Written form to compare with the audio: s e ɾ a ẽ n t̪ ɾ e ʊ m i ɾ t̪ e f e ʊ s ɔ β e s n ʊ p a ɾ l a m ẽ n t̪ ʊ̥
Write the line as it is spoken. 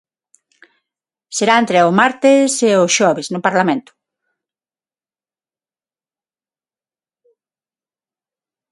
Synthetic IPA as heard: s e ɾ a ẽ n t̪ ɾ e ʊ m a ɾ t̪ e s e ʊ ʃ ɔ β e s n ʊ p a ɾ l a m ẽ n t̪ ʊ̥